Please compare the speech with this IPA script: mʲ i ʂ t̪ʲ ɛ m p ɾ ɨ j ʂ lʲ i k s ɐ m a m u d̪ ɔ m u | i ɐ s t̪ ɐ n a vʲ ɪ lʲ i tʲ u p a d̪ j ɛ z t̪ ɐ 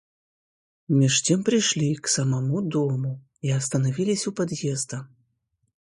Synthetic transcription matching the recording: mʲ i ʂ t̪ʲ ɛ m p ɾ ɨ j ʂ lʲ i k s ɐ m a m u d̪ ɔ m u | i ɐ s t̪ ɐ n a vʲ i lʲ i sʲ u p a d̪ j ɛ z d̪ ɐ